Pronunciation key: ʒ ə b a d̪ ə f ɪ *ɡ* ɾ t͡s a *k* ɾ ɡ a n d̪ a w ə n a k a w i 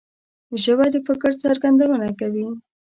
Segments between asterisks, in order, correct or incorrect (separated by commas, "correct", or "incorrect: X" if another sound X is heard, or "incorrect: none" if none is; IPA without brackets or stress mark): incorrect: k, incorrect: none